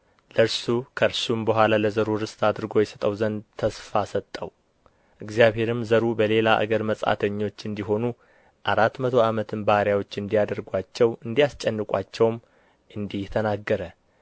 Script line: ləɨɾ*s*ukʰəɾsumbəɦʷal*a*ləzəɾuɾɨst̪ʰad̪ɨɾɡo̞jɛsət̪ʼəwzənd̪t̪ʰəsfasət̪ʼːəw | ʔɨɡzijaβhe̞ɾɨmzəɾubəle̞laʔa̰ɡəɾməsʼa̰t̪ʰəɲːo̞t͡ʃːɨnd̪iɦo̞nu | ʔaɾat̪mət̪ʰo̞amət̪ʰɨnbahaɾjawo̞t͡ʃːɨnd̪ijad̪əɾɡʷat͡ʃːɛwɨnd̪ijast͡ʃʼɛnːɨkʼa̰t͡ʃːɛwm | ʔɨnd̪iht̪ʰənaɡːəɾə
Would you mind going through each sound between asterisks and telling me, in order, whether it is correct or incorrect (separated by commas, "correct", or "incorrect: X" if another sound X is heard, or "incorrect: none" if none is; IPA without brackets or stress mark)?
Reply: correct, correct